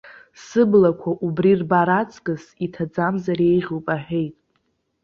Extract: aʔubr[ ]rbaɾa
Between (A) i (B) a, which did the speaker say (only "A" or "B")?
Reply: A